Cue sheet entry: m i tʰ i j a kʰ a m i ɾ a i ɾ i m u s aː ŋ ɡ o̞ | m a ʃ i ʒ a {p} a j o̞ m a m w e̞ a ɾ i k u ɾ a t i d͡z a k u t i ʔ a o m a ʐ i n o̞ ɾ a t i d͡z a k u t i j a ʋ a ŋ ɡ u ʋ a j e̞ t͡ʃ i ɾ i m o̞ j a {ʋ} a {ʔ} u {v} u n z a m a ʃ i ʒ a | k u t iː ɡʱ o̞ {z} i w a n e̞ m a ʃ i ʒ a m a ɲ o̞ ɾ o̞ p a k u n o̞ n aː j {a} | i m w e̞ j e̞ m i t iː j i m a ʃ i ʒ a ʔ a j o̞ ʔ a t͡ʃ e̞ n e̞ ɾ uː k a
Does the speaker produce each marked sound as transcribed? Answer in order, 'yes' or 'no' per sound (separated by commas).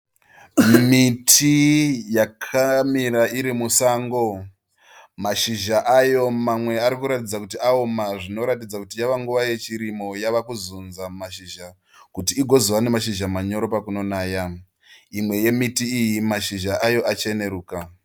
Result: no, yes, no, no, yes, yes